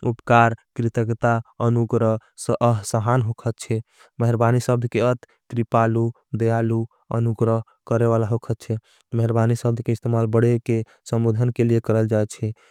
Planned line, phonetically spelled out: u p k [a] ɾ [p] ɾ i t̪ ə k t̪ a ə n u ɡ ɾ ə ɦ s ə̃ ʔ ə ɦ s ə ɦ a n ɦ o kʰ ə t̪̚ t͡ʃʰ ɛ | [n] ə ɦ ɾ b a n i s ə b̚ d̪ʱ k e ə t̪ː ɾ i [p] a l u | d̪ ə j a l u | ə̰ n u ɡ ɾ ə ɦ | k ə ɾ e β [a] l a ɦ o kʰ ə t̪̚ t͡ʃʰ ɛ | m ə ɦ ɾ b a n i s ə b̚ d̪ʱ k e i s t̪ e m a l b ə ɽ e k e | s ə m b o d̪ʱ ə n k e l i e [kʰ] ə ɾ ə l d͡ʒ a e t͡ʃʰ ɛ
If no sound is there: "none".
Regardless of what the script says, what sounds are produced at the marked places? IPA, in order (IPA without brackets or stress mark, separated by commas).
a, k, m, p, a, k